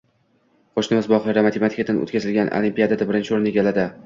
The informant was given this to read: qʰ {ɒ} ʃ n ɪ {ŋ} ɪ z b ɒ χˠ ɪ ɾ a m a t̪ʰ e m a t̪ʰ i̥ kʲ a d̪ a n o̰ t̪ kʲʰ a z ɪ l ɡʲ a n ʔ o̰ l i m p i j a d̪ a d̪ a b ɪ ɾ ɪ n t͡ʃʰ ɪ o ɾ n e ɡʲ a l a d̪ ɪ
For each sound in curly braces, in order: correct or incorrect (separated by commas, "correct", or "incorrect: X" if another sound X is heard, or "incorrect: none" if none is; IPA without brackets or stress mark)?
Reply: incorrect: o, incorrect: m